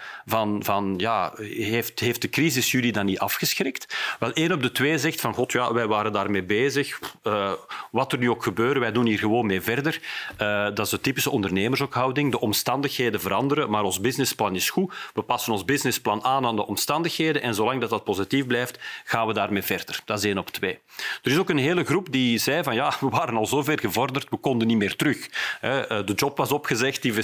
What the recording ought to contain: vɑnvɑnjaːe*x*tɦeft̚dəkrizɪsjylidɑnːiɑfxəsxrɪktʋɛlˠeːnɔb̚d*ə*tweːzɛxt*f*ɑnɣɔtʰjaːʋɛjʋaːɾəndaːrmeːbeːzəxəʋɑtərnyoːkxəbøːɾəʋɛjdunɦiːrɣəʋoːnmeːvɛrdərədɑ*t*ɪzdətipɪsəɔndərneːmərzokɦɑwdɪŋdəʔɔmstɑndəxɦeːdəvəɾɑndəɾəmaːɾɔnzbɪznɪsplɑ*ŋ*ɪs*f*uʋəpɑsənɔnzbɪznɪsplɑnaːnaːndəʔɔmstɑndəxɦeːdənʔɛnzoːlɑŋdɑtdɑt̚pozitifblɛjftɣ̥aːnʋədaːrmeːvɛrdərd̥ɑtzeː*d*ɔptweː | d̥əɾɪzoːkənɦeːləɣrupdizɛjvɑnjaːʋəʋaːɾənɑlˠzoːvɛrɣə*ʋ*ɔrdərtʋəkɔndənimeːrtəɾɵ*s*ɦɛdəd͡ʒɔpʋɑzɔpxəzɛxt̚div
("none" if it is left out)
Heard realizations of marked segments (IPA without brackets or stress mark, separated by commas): f, ə, f, t, n, x, n, v, x